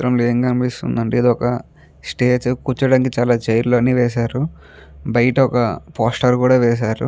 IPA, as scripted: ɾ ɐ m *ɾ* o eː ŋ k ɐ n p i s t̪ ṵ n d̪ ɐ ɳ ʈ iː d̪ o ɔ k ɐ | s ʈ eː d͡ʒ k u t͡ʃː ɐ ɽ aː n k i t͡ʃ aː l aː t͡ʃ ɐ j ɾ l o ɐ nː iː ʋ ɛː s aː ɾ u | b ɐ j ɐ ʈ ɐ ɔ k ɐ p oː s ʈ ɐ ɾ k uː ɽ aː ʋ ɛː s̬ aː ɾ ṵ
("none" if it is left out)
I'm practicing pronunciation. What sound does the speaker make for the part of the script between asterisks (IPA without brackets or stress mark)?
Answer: l